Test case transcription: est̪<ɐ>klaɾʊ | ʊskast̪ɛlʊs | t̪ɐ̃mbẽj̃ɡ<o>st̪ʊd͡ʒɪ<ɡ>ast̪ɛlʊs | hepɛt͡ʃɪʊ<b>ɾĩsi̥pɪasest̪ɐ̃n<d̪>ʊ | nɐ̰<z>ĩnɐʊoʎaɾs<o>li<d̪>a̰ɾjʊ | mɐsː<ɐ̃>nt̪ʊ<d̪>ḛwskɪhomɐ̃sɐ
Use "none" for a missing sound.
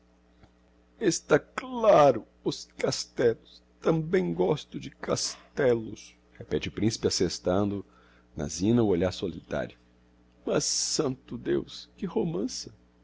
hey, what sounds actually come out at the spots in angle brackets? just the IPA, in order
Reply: a, ɔ, k, p, d̪, z, o, t̪, ɐ̃, d̪

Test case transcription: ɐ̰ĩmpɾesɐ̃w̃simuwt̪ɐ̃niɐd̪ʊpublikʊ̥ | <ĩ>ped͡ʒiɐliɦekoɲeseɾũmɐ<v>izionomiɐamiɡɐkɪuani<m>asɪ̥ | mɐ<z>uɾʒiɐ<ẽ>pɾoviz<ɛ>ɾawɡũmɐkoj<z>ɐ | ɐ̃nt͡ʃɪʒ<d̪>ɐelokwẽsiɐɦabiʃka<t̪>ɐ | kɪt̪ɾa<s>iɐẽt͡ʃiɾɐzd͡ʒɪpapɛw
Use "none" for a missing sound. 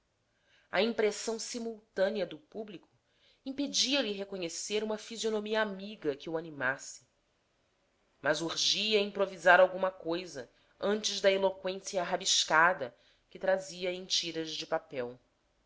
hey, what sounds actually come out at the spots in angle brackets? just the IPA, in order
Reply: ĩ, f, m, z, ĩ, a, z, d̪, d̪, z

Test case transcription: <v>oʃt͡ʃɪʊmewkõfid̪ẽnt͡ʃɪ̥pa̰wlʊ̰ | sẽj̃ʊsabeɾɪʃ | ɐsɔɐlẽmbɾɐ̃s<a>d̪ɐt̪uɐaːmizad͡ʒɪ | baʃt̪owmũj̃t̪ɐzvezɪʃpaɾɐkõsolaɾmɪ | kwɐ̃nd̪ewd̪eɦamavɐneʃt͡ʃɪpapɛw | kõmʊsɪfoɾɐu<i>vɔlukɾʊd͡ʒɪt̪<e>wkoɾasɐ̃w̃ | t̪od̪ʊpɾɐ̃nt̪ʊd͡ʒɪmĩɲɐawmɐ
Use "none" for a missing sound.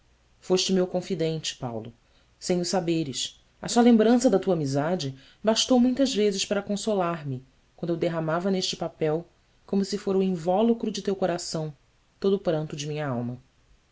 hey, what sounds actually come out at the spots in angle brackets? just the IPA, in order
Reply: f, ɐ, ĩ, e

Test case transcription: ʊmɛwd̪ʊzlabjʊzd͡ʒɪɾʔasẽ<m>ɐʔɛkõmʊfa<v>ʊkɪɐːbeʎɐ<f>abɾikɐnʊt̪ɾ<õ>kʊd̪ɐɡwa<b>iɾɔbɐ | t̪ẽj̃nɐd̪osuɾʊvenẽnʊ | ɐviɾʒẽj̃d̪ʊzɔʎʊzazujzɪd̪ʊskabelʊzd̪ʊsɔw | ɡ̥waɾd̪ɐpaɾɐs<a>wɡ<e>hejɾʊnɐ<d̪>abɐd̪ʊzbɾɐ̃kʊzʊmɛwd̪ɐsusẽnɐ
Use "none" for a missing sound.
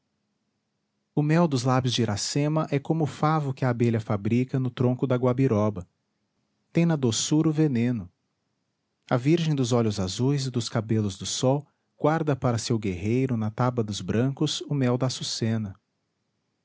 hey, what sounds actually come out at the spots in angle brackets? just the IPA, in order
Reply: m, v, f, õ, b, e, e, t̪

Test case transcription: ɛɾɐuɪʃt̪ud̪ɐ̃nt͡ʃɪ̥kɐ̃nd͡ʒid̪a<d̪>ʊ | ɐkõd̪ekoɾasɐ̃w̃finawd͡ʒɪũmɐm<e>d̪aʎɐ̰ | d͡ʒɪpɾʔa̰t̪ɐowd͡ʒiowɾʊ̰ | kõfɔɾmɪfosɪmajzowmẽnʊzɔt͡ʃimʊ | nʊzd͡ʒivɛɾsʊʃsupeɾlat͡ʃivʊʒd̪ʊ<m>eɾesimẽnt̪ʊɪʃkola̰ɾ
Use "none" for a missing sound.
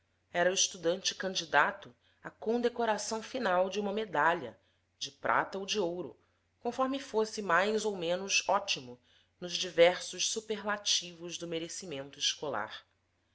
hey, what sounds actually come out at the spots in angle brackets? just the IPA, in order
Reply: t̪, e, m

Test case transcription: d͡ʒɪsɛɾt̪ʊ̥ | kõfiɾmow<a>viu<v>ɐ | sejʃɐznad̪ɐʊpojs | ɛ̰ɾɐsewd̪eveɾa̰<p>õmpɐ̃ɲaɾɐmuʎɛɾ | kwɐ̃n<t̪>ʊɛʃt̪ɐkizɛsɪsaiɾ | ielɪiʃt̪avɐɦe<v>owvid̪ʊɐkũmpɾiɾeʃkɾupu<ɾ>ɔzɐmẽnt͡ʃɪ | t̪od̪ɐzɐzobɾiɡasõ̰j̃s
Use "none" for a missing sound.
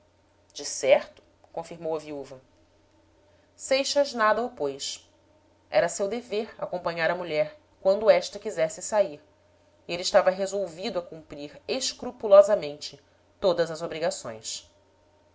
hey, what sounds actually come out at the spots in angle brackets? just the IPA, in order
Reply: ɐ, v, k, d̪, z, l

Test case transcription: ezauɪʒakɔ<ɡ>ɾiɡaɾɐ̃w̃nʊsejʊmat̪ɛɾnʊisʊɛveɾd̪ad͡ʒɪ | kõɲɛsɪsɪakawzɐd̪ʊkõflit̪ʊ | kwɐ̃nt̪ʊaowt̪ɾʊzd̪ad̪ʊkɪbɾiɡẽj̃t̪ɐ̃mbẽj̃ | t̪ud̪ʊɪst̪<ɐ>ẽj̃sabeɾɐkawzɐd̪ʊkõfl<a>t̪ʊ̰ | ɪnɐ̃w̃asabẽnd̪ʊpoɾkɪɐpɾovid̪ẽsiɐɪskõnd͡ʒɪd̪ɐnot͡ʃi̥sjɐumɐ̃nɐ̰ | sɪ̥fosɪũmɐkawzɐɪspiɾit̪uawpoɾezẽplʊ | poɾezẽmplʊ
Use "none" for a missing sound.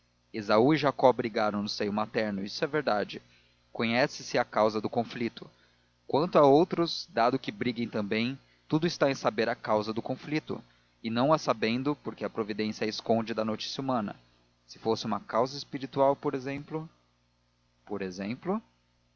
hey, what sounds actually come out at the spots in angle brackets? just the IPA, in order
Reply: b, a, i

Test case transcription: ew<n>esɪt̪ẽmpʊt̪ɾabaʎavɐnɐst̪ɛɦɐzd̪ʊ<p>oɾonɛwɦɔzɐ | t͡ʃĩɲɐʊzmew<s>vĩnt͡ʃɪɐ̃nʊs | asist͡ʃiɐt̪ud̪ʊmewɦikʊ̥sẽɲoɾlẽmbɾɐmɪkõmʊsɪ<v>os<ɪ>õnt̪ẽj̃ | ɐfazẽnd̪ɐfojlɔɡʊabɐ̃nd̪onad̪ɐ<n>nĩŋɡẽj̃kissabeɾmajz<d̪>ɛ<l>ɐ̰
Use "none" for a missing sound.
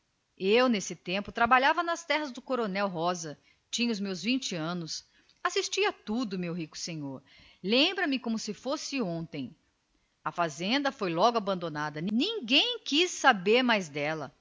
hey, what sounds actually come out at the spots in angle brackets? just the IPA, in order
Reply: n, k, z, f, ɪ, n, d̪, l

